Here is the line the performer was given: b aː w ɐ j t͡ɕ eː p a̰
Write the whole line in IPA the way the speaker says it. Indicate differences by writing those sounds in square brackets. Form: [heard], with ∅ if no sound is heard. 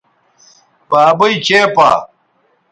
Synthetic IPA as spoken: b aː [b] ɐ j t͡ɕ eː p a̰